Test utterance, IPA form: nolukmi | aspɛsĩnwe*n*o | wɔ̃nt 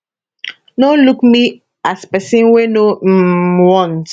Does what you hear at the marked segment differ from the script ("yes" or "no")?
no